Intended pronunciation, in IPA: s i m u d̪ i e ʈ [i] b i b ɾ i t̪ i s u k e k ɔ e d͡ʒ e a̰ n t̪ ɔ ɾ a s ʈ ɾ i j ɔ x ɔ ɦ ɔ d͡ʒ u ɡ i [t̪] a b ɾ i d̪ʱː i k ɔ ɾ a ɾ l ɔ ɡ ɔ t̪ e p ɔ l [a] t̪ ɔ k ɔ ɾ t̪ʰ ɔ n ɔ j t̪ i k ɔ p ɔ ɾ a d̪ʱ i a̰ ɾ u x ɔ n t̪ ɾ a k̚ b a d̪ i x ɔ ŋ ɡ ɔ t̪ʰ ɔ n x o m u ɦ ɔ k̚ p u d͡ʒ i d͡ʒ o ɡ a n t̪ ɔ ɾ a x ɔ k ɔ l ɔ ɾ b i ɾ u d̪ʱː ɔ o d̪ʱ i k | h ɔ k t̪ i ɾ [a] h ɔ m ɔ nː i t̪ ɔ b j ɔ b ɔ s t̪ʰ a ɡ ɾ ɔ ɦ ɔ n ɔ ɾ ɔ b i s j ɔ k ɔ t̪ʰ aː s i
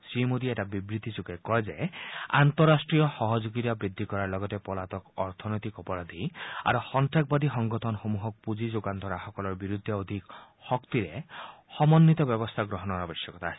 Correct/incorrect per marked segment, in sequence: incorrect, correct, correct, incorrect

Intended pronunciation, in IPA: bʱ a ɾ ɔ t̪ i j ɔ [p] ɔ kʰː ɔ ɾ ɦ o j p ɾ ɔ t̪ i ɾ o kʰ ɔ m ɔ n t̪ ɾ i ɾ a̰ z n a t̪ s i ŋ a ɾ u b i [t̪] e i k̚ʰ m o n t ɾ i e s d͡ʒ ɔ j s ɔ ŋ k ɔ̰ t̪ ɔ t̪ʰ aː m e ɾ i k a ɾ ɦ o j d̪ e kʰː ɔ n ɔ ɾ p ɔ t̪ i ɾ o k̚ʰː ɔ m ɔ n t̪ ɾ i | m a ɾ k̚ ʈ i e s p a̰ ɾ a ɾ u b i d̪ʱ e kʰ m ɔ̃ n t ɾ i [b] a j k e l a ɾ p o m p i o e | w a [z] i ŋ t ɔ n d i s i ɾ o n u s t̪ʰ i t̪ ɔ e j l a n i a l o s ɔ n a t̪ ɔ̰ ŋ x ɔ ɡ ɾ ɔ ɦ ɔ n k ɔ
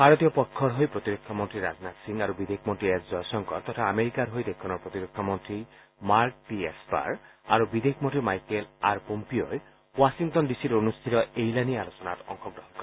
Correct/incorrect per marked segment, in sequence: correct, incorrect, incorrect, incorrect

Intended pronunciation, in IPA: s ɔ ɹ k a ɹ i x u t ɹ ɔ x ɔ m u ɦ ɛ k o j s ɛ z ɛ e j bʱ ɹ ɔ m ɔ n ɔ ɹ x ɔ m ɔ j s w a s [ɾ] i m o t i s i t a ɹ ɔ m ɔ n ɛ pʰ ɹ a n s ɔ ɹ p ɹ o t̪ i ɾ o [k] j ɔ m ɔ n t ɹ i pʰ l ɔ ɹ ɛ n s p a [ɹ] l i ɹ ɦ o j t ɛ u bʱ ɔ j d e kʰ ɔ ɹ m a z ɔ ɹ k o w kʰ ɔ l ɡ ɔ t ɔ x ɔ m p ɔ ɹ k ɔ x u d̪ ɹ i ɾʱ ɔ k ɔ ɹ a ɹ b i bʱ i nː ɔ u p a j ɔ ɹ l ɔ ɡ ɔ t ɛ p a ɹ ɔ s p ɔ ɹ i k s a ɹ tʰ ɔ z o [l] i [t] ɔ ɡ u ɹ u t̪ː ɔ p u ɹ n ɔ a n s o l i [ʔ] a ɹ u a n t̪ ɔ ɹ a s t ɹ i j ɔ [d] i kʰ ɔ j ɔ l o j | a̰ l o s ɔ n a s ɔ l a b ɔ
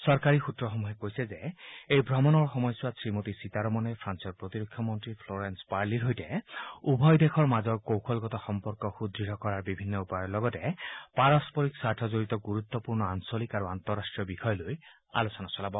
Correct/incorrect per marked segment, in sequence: incorrect, incorrect, correct, incorrect, correct, incorrect, incorrect

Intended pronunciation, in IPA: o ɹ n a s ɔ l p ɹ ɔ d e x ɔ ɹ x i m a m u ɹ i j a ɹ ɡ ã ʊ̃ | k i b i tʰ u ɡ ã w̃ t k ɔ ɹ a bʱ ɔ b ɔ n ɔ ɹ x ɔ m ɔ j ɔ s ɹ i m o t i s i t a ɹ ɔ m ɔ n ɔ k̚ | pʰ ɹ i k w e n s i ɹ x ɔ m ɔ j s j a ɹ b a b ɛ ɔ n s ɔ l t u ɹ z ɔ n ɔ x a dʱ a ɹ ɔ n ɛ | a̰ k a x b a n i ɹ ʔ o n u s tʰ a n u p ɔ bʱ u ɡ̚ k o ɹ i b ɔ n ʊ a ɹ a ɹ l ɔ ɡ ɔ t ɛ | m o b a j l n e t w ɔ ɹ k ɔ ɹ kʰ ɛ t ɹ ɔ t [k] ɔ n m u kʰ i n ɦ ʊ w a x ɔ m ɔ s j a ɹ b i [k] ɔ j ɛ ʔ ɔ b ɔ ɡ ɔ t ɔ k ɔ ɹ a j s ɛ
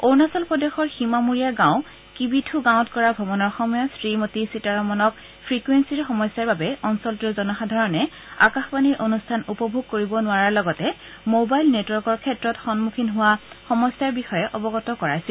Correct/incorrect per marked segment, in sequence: incorrect, incorrect

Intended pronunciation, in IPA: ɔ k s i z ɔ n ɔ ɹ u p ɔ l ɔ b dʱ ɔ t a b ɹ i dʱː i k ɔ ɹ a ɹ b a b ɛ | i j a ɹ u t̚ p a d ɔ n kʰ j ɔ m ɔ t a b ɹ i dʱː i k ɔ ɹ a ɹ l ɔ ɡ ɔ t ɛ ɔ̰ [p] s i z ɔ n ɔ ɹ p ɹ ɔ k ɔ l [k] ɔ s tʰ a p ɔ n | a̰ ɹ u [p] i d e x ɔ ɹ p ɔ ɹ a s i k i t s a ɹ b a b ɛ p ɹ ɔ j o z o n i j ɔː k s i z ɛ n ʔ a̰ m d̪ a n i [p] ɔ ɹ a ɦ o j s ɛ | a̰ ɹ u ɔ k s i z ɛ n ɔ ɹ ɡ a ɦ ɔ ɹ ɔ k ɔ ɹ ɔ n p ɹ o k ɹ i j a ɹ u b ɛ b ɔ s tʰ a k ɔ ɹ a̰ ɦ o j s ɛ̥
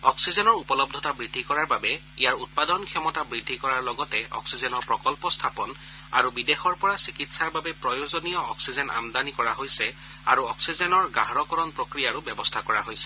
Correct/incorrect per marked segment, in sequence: incorrect, incorrect, incorrect, incorrect

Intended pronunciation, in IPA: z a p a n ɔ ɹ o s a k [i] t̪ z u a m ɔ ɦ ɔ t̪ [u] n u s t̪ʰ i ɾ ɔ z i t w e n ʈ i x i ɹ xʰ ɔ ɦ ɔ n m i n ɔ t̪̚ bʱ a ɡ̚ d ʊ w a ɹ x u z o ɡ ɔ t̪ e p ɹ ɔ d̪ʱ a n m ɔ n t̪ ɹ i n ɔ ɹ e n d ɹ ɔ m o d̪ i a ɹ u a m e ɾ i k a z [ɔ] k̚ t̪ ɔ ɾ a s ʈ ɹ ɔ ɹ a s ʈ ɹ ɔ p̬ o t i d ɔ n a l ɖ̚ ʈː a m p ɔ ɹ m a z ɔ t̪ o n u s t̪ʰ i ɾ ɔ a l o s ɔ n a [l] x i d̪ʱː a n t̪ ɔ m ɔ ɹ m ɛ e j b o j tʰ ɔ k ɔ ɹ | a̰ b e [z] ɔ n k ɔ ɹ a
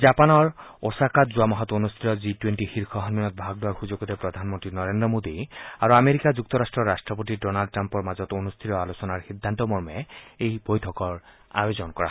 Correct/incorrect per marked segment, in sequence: incorrect, incorrect, incorrect, incorrect, correct

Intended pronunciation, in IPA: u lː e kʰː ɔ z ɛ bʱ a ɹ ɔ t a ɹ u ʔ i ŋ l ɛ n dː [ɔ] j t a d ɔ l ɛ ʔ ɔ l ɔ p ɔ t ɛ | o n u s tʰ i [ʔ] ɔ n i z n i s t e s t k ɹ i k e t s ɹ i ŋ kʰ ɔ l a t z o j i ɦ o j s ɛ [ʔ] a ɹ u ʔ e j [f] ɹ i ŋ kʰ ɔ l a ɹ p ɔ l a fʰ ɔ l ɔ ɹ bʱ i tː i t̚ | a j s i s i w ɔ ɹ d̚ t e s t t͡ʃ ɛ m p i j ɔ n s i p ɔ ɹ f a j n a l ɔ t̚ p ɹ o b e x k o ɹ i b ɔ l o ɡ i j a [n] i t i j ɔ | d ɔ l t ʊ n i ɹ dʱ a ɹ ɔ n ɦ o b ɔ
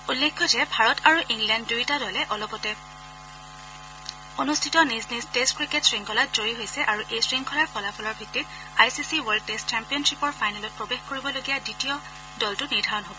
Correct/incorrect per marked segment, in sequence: incorrect, incorrect, correct, incorrect, incorrect

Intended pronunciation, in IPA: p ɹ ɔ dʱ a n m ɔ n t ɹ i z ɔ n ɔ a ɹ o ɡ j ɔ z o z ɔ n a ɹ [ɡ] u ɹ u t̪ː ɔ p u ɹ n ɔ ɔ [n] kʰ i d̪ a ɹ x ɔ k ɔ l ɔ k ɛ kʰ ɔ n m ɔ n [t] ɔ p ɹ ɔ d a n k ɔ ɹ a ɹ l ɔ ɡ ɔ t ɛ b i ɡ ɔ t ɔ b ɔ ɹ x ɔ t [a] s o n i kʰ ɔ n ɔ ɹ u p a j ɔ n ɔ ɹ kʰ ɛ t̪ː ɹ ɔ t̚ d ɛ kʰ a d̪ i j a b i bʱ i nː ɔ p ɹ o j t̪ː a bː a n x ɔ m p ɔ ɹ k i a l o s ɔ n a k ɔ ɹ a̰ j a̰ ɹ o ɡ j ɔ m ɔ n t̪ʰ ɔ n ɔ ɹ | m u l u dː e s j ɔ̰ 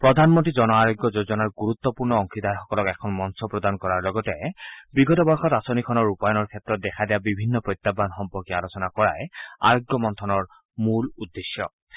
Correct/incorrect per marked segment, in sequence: correct, incorrect, incorrect, correct

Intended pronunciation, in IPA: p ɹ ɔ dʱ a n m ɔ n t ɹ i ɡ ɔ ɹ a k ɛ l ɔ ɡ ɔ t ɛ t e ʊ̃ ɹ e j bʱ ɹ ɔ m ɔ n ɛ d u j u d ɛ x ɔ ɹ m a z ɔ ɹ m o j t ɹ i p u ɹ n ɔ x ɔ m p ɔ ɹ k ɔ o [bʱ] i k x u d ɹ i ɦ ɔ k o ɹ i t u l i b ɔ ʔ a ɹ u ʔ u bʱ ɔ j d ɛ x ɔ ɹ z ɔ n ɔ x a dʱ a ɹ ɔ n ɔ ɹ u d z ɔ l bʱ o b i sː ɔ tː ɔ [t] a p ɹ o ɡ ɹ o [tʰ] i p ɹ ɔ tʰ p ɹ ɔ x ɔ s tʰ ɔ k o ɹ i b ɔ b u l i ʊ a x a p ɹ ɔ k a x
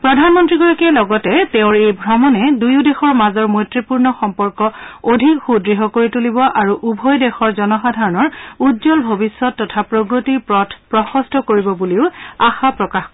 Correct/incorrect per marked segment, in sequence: incorrect, incorrect, incorrect

